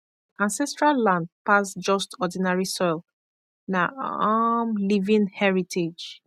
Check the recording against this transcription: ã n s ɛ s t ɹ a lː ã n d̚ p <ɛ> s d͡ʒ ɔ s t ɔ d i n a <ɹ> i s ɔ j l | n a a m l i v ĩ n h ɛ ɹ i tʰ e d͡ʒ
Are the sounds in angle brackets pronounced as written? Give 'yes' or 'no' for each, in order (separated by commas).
no, yes